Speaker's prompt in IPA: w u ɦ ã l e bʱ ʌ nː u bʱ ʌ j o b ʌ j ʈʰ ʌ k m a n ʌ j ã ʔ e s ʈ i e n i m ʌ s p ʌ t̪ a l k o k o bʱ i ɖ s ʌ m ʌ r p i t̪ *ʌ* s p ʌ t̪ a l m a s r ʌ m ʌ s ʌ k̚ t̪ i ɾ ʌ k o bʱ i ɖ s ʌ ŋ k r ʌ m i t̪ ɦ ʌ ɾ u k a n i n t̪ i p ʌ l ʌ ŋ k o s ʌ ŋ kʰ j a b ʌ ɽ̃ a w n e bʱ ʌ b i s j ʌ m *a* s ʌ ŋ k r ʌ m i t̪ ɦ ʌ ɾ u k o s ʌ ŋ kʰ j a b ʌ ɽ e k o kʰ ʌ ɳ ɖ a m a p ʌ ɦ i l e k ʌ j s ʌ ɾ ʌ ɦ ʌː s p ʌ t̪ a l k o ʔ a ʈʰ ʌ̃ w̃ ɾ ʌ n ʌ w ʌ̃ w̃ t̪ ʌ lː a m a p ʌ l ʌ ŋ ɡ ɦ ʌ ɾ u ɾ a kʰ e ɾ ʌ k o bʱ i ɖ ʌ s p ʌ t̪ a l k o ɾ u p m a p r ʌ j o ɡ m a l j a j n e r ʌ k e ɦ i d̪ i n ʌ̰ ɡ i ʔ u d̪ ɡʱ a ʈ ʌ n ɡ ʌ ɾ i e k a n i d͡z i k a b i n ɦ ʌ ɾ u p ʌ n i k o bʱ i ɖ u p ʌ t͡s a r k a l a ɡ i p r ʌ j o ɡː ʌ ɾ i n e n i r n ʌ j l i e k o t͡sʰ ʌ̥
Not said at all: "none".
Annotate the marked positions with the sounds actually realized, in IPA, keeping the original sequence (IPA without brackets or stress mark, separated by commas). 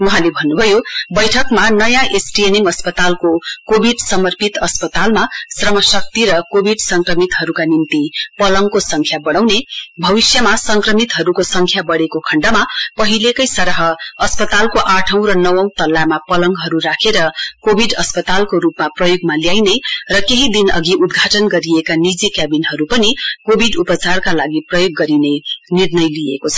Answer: ʌ, a